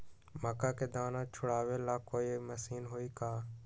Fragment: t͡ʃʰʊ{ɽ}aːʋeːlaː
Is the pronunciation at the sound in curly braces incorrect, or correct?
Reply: correct